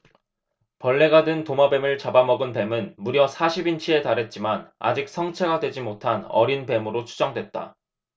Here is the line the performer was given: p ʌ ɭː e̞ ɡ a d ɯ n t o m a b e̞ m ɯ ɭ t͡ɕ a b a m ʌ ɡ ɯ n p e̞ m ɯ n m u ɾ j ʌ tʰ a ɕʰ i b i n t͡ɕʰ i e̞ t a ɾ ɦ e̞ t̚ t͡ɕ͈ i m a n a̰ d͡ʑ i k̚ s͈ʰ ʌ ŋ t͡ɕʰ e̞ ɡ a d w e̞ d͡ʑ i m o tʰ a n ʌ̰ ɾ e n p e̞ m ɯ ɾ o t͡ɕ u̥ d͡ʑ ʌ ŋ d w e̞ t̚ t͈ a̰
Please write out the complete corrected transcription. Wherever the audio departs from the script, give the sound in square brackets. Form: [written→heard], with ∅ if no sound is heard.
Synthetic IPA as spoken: p ʌ ɭː e̞ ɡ a d ɯ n t o m a b e̞ m ɯ ɭ t͡ɕ a b a m ʌ ɡ ɯ n p e̞ m ɯ n m u ɾ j ʌ [tʰ→sʰ] a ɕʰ i b i n t͡ɕʰ i e̞ t a ɾ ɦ e̞ t̚ t͡ɕ͈ i m a n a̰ d͡ʑ i k̚ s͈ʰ ʌ ŋ t͡ɕʰ e̞ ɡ a d w e̞ d͡ʑ i m o tʰ a n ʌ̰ ɾ [e→i] n p e̞ m ɯ ɾ o [t͡ɕ→t͡ɕʰ] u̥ d͡ʑ ʌ ŋ d w e̞ t̚ t͈ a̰